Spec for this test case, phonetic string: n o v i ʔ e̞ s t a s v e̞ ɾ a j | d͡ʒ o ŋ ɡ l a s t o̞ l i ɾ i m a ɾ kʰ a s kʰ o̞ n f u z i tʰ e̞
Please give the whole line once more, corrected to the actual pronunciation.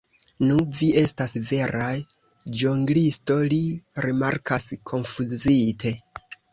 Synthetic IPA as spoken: n u v i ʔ e̞ s t a s v e̞ ɾ a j | d͡ʒ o ŋ ɡ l i s t o̞ l i ɾ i m a ɾ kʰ a s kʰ o̞ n f u z i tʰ e̞

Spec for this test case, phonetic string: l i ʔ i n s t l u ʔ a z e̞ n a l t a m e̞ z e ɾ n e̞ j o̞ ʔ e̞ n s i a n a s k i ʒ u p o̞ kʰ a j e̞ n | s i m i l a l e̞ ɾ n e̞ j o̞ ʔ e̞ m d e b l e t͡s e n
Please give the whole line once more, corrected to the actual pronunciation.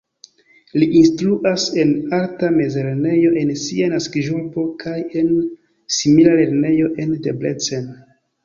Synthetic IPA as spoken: l i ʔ i n s t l u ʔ a s e̞ n a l t a m e̞ z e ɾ n e̞ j o̞ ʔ e̞ n s i a n a s k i ʒ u p o̞ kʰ a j e̞ n | s i m i l a l e̞ ɾ n e̞ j o̞ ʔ e̞ n d e b l e t͡s e n

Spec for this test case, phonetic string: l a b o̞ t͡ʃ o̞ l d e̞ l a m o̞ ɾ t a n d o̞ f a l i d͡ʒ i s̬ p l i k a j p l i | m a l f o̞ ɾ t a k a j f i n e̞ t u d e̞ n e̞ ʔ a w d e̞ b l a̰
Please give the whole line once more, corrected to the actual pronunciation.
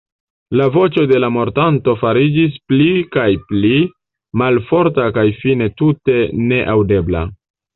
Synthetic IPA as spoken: l a v o̞ t͡ʃ o̞ d e̞ l a m o̞ ɾ t a n t o̞ f a ɾ i d͡ʒ i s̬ p l i k a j p l i | m a l f o̞ ɾ t a k a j f i n e̞ t u t e̞ n e̞ ʔ a w d e̞ b l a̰

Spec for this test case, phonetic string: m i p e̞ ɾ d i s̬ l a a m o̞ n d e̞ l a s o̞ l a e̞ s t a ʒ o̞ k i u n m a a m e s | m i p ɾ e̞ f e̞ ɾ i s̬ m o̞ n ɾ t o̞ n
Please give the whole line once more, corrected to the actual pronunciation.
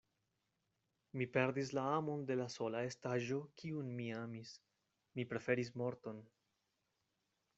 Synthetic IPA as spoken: m i p e̞ ɾ d i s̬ l a a m o̞ n d e̞ l a s o̞ l a e̞ s t a ʒ o̞ k i u n m i a m i s | m i p ɾ e̞ f e̞ ɾ i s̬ m o̞ ɾ t o̞ n

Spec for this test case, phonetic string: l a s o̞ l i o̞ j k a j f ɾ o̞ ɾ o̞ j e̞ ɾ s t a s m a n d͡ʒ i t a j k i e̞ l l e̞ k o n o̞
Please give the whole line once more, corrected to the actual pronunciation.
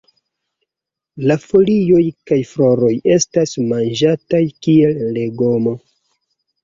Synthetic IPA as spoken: l a f o̞ l i o̞ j k a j f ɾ o̞ ɾ o̞ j e̞ s t a s m a n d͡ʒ a t a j k i e̞ l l e̞ ɡ o m o̞

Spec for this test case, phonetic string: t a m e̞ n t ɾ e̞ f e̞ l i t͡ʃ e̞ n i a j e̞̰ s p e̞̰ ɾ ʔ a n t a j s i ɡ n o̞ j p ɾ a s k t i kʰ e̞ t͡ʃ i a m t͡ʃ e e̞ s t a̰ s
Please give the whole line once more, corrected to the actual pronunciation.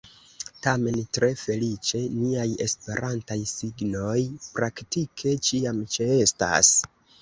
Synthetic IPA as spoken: t a m e̞ n t ɾ e̞ f e̞ l i t͡ʃ e̞ n i a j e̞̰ s p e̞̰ ɾ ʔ a n t a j s i ɡ n o̞ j p ɾ a k t i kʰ e̞ t͡ʃ i a m t͡ʃ e e̞ s t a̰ s

